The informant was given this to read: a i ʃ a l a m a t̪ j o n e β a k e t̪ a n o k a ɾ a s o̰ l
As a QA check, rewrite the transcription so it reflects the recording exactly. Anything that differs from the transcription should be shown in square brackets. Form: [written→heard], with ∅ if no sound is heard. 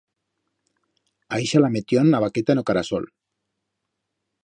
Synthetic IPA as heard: a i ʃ a l a m [a→e] t̪ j o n [e→a] β a k e t̪ a n o k a ɾ a s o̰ l